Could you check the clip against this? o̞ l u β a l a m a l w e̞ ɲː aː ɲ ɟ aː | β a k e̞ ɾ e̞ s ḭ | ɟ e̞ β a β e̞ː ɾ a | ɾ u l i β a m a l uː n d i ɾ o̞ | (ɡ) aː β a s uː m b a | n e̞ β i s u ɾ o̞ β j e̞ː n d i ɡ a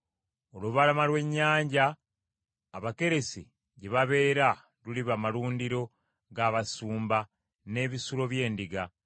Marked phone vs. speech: correct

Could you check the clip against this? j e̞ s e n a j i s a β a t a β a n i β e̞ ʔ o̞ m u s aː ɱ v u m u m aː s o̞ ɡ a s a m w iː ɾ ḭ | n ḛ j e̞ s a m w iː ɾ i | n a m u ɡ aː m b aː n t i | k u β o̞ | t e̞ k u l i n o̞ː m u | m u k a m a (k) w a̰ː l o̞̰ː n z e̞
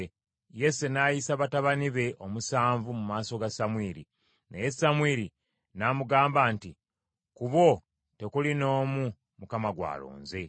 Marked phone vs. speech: incorrect: ɡ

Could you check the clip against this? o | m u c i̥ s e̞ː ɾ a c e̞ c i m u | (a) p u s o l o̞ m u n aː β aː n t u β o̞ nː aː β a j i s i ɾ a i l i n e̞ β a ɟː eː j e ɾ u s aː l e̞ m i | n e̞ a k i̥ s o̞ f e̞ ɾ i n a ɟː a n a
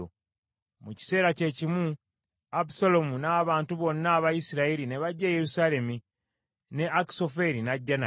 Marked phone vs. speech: correct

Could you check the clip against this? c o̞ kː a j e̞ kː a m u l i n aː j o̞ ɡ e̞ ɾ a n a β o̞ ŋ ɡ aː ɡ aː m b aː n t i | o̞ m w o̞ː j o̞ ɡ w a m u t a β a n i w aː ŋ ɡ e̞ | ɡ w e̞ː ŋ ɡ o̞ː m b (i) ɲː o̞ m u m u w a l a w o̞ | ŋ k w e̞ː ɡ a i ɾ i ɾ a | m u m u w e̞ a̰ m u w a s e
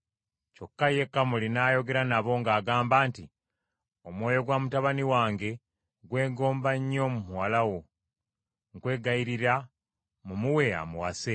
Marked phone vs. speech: incorrect: a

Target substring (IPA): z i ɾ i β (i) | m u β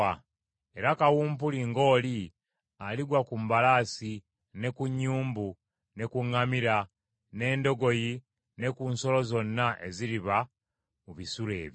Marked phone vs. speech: incorrect: a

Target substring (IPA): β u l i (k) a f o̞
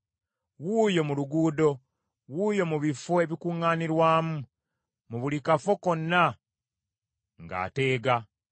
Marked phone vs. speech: correct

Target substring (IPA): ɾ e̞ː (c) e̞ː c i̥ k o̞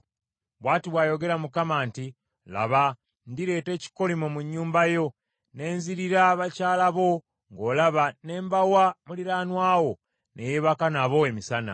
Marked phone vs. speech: incorrect: t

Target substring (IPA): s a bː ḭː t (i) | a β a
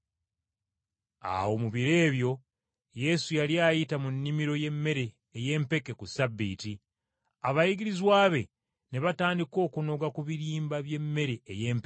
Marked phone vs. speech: correct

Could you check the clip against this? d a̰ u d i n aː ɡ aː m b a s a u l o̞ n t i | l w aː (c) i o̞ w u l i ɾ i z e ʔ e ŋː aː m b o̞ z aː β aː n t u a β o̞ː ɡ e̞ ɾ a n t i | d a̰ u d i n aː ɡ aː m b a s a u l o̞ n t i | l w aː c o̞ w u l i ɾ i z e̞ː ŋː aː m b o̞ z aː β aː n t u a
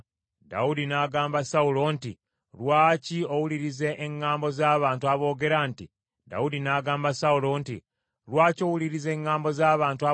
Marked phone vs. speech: correct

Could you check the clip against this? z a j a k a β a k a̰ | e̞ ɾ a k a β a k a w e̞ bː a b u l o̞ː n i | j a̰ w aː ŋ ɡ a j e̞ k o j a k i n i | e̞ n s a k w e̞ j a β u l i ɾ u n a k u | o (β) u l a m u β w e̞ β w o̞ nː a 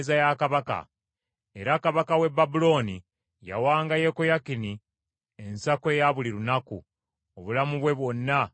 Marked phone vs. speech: correct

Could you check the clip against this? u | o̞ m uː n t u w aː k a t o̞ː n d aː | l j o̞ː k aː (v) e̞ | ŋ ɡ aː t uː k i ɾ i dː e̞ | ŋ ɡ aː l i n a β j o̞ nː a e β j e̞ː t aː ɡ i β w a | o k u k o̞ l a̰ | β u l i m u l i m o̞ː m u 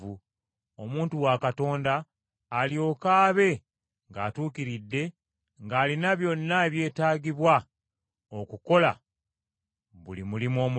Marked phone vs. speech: incorrect: β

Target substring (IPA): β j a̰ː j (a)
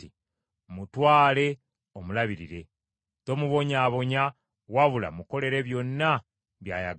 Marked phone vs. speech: correct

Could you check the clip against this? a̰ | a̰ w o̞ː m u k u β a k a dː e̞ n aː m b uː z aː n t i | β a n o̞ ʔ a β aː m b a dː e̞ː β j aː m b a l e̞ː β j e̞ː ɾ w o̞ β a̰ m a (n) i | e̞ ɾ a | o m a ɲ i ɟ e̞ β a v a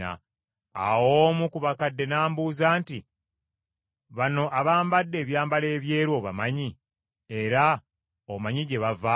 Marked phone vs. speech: incorrect: ɲ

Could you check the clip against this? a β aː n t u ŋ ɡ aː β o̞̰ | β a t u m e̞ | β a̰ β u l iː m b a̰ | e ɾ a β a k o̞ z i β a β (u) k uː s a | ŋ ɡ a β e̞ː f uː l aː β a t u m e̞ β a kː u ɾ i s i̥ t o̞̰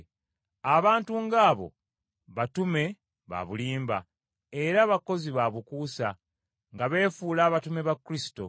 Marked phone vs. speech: correct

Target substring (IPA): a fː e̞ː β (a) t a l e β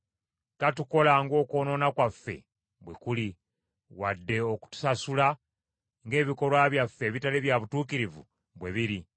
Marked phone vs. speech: incorrect: i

